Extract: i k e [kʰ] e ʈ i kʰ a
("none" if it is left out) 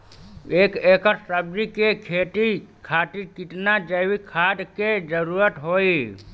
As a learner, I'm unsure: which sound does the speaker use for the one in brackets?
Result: kʰ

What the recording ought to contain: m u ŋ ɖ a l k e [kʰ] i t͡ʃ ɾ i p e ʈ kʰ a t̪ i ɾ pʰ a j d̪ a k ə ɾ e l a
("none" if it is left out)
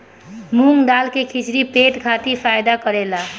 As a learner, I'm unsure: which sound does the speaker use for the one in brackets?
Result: kʰ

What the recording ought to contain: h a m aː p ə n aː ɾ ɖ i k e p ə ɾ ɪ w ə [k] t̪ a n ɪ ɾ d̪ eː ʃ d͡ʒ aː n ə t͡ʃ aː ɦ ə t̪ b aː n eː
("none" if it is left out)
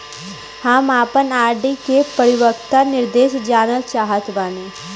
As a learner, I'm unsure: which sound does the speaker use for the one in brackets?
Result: k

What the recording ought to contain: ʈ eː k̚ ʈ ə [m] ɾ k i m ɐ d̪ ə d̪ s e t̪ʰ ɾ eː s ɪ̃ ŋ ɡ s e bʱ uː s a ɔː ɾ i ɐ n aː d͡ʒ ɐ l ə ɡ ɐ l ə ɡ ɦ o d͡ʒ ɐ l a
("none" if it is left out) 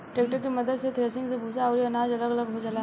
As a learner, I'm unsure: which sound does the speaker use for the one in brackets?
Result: none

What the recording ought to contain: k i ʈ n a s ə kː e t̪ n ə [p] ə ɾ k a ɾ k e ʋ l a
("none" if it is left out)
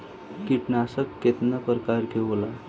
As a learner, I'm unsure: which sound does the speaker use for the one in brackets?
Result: p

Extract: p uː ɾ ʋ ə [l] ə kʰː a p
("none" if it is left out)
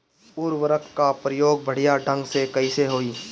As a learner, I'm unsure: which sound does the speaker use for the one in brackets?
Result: ɾ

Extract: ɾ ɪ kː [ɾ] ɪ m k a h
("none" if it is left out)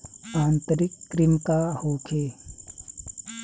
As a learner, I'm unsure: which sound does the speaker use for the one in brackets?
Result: ɾ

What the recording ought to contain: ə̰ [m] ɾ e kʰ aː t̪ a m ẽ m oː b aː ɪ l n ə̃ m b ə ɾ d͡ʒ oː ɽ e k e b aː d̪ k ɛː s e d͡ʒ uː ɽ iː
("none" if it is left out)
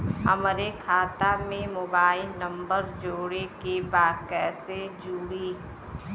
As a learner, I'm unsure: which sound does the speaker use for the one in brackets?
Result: m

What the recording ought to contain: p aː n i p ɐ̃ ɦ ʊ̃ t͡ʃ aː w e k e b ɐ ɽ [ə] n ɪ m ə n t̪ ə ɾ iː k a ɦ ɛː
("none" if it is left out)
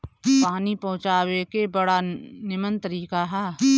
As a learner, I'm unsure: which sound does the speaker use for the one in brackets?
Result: a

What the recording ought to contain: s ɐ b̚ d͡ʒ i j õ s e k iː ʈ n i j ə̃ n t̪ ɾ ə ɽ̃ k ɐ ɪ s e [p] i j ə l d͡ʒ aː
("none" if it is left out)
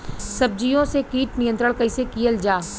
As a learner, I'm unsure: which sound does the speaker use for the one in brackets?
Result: k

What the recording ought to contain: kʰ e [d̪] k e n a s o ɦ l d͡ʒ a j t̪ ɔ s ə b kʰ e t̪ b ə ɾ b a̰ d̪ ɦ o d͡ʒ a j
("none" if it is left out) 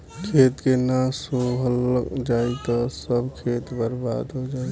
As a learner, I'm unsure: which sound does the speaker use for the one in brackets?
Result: t̪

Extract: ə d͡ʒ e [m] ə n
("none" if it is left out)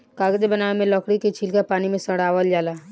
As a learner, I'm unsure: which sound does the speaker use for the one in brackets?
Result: b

